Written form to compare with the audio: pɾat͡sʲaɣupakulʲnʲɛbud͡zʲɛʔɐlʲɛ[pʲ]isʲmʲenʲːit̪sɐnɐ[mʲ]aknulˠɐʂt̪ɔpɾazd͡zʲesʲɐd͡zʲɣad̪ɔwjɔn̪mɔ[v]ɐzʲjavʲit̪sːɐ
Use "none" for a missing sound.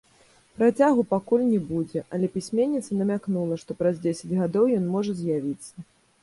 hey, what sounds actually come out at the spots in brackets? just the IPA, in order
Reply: pʲ, mʲ, ʐ

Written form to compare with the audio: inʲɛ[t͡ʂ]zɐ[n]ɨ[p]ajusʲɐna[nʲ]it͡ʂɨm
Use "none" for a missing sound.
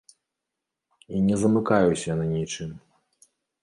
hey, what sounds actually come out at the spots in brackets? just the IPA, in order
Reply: none, m, k, nʲ

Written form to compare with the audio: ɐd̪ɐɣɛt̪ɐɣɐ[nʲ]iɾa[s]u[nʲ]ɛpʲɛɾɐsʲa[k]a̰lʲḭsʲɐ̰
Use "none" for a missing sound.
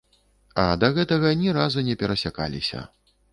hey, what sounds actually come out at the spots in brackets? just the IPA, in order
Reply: nʲ, z, nʲ, k

